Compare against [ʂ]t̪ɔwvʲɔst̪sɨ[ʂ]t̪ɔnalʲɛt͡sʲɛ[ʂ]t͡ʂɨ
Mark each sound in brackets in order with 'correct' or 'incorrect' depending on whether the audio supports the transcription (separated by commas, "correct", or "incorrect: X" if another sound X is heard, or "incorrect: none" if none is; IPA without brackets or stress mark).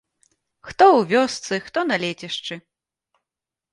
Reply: incorrect: x, incorrect: x, correct